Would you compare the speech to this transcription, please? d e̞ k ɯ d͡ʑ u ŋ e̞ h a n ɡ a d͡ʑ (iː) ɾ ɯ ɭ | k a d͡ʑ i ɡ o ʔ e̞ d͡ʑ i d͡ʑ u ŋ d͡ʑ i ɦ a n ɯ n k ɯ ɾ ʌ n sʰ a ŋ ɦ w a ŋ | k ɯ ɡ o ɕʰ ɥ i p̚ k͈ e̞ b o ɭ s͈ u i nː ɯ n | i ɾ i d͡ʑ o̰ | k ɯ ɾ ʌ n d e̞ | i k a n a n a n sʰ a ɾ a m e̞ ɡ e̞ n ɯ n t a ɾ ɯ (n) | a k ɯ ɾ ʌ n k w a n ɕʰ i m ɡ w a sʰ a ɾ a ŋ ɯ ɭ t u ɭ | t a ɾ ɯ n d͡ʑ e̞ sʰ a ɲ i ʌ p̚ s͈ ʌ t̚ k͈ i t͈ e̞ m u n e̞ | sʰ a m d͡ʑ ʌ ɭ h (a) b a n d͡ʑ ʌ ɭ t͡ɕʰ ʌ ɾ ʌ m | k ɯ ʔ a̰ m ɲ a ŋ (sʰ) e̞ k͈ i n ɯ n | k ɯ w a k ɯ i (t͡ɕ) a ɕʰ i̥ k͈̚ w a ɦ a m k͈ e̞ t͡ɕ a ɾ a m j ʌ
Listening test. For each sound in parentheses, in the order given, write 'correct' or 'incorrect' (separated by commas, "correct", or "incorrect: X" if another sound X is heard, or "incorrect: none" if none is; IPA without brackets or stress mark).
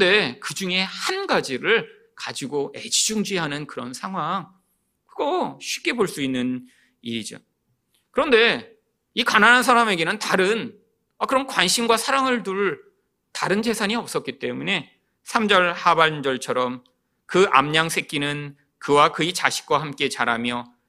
incorrect: i, correct, correct, correct, correct